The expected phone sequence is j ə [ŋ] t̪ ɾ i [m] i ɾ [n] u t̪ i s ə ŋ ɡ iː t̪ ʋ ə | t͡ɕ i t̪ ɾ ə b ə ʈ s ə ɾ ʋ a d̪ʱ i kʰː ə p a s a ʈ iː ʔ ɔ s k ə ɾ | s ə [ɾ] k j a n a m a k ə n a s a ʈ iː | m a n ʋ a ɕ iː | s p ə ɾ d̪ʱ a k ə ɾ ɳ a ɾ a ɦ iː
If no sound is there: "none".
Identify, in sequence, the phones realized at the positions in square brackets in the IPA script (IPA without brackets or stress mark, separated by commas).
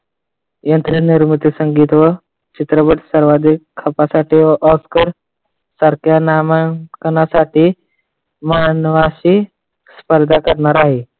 n, n, m, ɾ